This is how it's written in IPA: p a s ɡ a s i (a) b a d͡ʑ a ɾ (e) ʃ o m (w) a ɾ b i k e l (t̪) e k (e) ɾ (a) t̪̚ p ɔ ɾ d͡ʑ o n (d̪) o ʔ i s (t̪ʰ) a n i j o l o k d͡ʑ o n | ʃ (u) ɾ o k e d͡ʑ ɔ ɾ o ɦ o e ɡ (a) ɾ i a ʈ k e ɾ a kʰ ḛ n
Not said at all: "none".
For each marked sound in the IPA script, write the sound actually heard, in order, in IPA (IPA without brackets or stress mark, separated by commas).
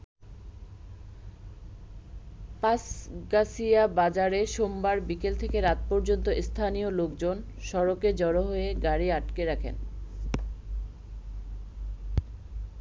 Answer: a, e, b, t̪ʰ, e, a, t̪, t̪ʰ, ɔ, a